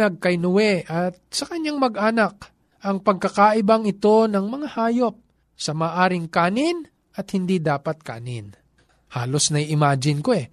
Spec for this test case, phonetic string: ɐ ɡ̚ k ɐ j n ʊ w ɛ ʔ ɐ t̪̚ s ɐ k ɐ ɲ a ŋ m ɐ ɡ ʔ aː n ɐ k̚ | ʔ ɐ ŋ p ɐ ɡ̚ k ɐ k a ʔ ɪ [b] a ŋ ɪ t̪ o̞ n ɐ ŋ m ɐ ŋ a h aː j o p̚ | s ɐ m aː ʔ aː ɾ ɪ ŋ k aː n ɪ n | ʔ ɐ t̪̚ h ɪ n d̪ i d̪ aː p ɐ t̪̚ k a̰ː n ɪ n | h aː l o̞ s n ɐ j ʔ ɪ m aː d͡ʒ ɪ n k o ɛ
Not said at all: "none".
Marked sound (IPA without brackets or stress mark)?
b